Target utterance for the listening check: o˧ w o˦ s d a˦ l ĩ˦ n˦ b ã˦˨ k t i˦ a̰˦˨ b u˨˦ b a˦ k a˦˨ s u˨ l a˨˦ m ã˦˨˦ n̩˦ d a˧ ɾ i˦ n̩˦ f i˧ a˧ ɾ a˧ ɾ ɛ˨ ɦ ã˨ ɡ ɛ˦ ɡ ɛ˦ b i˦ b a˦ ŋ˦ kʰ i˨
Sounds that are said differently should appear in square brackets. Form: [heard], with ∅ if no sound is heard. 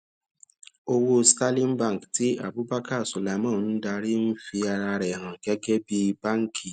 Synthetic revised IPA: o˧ w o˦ s [t] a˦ l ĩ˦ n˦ b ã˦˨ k t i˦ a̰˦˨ b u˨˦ b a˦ k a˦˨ s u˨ l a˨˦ m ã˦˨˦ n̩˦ d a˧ ɾ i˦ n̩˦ f i˧ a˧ ɾ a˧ ɾ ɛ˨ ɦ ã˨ ɡ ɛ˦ ɡ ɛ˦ b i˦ b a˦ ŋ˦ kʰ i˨

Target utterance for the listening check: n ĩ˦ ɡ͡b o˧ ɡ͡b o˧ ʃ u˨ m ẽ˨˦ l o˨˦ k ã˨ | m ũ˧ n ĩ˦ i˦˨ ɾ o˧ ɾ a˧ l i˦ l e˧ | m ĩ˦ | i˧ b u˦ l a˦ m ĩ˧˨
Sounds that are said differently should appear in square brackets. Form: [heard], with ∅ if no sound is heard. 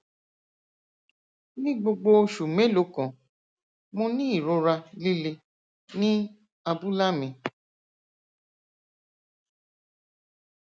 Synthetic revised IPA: n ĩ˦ ɡ͡b o˧ ɡ͡b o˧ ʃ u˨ m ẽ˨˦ l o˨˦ k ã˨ | m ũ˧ n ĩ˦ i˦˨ ɾ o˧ ɾ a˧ l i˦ l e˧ | [n] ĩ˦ | [a˧] b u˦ l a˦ m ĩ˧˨

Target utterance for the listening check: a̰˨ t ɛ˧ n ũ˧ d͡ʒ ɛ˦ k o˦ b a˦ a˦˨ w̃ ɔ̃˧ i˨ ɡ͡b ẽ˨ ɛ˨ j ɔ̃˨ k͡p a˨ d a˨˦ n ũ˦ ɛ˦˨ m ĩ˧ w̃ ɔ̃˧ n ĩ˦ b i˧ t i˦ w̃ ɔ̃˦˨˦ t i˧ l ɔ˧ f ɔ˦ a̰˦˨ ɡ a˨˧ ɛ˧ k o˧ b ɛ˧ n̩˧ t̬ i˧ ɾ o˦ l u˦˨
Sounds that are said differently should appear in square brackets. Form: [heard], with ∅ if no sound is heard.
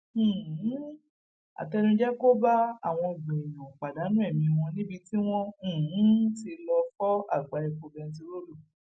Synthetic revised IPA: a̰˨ t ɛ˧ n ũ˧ d͡ʒ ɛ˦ k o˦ b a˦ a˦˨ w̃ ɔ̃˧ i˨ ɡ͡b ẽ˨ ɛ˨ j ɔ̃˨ k͡p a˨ d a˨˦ n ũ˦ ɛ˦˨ m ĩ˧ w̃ ɔ̃˧ n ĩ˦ b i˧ t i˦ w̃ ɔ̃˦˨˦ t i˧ l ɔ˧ f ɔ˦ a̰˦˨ [ɡ͡b] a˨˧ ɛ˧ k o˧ b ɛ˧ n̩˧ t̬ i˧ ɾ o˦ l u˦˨

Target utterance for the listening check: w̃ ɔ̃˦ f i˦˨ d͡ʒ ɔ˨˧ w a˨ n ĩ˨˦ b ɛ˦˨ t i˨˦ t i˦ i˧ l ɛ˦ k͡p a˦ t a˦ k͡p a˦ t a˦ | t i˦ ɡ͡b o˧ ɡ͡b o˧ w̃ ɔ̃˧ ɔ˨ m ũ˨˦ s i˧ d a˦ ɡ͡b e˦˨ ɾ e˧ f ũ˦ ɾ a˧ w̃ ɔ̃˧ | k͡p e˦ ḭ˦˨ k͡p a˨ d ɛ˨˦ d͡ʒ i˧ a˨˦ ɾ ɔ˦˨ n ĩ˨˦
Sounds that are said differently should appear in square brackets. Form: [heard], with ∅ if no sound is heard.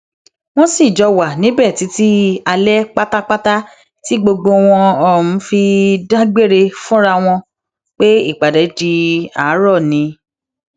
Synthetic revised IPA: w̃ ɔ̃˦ [s] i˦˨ d͡ʒ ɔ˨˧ w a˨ n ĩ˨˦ b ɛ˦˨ t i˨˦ t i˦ [a˧] l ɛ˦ k͡p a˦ t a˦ k͡p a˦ t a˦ | t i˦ ɡ͡b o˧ ɡ͡b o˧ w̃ ɔ̃˧ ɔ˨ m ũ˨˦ [f] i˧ d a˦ ɡ͡b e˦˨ ɾ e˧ f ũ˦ ɾ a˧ w̃ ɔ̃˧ | k͡p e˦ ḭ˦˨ k͡p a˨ d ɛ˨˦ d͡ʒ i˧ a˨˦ ɾ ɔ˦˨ n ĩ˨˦

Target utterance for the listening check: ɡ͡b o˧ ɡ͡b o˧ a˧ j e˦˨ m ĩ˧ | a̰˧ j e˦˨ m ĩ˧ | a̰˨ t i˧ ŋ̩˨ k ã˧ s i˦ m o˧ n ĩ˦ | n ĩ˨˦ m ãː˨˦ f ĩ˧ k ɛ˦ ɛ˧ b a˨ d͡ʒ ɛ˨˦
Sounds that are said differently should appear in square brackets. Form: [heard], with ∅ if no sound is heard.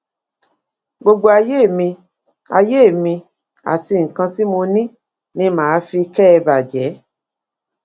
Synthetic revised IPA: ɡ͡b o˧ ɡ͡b o˧ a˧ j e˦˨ m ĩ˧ | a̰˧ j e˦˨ m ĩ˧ | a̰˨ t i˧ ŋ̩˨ k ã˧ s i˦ m o˧ n ĩ˦ | n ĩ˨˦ m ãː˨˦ f [i˧] k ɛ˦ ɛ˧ b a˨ d͡ʒ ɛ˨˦

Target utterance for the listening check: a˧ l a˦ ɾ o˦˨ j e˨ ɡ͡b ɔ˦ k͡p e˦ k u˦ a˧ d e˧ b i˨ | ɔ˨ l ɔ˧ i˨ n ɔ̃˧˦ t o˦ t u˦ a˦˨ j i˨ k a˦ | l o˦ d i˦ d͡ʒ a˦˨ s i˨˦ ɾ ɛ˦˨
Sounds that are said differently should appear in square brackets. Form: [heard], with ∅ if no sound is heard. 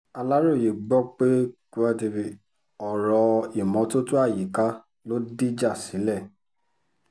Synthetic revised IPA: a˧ l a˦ ɾ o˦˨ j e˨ ɡ͡b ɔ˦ k͡p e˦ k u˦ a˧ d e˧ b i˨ | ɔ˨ [ɾ] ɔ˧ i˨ [m] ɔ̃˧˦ t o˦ t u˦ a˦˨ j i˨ k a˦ | l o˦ d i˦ d͡ʒ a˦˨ s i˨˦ [l] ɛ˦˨

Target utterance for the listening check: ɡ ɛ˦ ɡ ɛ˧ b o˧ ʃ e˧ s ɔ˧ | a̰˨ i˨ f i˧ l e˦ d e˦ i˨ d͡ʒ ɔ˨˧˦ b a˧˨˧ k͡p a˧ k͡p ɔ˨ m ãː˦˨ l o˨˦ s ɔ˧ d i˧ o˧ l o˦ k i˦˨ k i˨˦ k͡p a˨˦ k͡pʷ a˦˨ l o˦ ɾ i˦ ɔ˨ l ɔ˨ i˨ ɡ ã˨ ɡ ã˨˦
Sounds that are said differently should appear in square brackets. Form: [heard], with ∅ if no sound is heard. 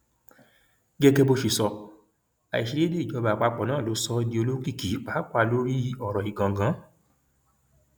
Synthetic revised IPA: ɡ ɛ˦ ɡ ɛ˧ b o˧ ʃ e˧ s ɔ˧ | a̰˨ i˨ [ʃ] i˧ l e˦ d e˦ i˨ d͡ʒ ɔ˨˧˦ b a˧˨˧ k͡p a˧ k͡p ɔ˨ [n] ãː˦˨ l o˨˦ s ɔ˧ d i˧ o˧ l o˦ k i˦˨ k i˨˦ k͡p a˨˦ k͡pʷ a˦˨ l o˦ ɾ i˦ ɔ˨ [ɾ] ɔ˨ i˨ ɡ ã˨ ɡ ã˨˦

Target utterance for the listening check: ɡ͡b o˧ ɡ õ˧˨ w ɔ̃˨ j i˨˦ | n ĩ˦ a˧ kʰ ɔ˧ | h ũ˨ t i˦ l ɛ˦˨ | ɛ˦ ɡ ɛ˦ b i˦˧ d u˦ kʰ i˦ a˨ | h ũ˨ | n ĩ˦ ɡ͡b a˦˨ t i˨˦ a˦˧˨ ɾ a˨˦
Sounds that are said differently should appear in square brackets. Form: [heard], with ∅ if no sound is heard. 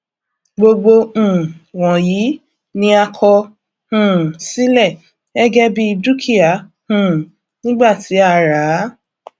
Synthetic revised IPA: ɡ͡b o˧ [ɡ͡b] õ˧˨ w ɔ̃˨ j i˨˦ | n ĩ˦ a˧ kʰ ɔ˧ | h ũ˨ [s] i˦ l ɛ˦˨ | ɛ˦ ɡ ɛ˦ b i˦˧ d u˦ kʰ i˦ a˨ | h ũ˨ | n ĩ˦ ɡ͡b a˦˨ t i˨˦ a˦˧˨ ɾ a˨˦

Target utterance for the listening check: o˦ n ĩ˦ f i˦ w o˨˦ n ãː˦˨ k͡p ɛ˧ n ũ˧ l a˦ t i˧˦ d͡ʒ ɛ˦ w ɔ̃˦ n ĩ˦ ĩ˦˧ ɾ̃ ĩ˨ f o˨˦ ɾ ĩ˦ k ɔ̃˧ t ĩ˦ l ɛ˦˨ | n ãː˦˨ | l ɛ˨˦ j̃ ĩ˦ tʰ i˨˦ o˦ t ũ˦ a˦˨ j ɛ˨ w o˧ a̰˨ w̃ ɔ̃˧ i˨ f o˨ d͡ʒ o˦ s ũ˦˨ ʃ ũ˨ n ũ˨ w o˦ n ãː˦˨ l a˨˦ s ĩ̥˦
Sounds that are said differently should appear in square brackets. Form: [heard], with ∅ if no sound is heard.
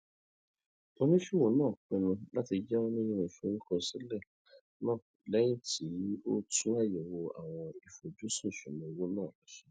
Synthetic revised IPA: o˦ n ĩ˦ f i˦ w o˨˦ n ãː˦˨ k͡p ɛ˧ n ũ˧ l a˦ t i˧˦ d͡ʒ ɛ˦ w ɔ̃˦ n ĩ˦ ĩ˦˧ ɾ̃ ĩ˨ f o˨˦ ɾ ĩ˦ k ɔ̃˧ [s] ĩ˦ l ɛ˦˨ | n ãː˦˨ | l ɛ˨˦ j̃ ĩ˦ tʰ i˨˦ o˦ t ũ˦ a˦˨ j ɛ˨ w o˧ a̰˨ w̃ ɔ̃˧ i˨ f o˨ d͡ʒ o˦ s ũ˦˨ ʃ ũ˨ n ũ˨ w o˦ n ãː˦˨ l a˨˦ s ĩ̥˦

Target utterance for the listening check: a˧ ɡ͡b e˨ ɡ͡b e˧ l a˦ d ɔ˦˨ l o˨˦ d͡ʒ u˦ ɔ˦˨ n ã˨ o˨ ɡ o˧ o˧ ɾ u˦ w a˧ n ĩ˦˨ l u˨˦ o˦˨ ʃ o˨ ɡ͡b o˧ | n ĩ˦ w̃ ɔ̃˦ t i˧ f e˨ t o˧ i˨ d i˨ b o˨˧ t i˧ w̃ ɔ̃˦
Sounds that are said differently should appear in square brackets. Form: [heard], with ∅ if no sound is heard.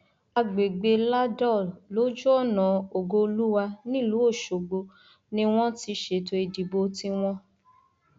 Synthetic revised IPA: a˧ ɡ͡b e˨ ɡ͡b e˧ l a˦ d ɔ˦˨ l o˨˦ d͡ʒ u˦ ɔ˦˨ n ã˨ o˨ ɡ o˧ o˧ [l] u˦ w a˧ n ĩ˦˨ l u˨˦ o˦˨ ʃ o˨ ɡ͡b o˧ | n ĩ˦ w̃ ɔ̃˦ t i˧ [ʃ] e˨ t o˧ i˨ d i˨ b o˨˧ t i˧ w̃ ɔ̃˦

